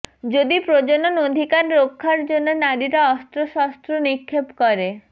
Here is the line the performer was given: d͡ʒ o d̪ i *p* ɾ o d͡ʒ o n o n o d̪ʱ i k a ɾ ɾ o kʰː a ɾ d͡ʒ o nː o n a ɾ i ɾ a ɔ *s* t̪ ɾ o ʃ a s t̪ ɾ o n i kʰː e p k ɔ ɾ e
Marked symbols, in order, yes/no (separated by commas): yes, yes